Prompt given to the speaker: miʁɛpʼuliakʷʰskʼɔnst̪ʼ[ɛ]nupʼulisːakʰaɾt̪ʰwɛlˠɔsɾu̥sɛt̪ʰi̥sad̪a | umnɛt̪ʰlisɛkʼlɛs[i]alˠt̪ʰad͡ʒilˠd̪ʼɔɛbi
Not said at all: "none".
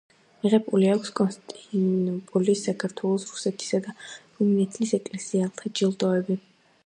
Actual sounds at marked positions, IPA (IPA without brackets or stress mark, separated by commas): i, i